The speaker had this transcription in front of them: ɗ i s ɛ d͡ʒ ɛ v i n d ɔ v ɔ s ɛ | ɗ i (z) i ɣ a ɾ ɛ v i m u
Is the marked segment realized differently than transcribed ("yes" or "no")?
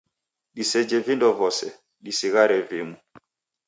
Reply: yes